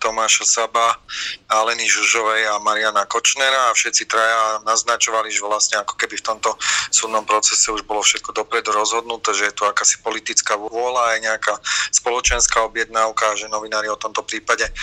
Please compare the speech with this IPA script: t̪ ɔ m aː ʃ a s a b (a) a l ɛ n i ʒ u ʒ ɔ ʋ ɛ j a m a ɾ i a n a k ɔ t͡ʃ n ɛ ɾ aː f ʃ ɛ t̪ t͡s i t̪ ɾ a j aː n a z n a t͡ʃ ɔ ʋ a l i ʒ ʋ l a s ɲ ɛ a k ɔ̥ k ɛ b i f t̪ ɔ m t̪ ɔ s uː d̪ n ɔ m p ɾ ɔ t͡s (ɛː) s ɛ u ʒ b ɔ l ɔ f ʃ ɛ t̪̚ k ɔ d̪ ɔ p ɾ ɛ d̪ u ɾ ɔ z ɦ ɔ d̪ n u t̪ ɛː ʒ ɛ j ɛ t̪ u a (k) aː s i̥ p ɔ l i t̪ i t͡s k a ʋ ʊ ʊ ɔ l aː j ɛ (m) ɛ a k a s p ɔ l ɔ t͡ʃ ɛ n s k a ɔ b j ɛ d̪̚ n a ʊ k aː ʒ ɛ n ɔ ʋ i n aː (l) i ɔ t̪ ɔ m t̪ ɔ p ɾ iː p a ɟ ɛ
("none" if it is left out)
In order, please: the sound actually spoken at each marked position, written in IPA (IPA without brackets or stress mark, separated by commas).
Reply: a, ɛ, k, ɲ, ɾ